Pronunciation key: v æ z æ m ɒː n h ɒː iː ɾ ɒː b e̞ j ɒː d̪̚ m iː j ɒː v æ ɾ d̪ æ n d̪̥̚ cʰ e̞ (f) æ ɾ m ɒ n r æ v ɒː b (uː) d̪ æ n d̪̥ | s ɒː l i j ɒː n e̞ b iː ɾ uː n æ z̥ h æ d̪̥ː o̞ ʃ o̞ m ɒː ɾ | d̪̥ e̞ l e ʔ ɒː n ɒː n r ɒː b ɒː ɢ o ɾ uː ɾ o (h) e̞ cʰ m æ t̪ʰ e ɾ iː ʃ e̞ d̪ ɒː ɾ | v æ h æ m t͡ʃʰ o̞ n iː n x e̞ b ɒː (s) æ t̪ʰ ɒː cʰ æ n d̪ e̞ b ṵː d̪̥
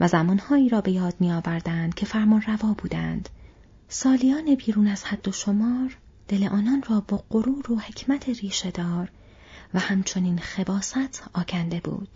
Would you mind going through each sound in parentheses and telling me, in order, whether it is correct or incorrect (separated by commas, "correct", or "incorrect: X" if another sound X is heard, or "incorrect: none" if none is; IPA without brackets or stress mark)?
correct, correct, correct, correct